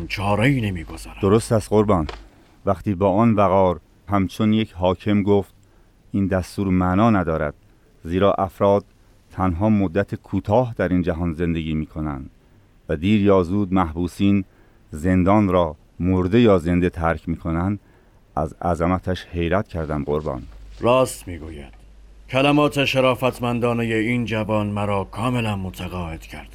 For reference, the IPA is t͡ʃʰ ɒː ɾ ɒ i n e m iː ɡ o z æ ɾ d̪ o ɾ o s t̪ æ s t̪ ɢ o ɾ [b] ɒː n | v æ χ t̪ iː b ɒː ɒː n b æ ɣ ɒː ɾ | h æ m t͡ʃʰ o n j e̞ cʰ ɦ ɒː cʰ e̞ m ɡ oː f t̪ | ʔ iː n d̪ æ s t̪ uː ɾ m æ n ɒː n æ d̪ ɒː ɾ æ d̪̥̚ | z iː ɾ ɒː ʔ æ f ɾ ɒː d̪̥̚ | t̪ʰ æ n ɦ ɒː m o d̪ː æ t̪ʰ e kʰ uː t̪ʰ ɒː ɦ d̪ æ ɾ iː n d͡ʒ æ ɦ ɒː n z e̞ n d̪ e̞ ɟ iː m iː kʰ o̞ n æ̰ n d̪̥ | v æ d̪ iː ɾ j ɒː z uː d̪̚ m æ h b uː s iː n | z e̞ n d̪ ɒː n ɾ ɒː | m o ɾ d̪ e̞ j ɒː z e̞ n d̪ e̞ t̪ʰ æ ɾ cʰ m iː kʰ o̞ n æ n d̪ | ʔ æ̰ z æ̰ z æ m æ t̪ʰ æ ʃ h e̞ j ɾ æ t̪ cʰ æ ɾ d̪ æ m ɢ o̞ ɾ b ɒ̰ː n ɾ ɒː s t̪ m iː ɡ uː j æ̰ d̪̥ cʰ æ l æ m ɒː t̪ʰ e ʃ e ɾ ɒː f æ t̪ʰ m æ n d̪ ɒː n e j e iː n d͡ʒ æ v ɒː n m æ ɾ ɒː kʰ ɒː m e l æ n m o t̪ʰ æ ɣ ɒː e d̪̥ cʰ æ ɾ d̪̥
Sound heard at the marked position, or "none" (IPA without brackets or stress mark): b